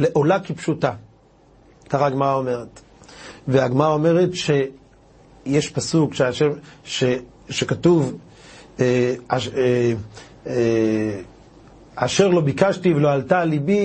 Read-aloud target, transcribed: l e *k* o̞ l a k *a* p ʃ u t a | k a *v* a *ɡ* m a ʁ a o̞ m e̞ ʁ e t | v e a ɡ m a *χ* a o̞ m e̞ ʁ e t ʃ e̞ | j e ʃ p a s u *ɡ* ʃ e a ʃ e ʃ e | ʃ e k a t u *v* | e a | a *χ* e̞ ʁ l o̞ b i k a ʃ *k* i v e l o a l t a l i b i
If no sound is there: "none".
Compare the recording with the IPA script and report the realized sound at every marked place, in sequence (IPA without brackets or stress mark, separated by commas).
ʔ, i, ʁ, ɡ, ʁ, k, v, ʃ, t